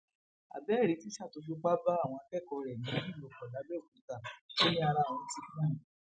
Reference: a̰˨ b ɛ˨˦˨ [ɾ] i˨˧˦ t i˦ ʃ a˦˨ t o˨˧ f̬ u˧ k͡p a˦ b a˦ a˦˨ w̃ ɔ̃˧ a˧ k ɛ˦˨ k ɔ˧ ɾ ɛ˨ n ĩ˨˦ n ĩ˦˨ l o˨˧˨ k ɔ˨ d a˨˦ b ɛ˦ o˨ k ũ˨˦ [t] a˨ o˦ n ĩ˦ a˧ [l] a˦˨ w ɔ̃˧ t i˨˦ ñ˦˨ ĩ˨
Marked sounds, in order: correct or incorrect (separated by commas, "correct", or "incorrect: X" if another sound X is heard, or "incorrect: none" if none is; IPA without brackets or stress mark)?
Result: correct, correct, incorrect: ɾ